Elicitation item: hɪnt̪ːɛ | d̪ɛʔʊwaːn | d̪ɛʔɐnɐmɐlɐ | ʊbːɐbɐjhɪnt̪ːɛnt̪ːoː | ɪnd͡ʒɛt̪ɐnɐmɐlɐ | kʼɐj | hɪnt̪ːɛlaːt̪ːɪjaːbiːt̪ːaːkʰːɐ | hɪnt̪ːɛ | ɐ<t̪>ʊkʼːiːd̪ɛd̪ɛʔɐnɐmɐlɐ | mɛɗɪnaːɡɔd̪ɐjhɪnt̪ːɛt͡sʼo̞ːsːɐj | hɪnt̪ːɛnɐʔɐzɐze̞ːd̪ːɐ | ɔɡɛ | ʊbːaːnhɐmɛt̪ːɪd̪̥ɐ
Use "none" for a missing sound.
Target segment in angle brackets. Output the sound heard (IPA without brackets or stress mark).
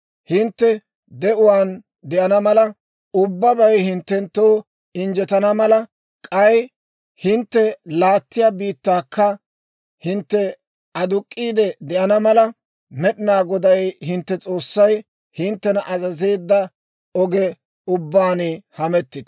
d̪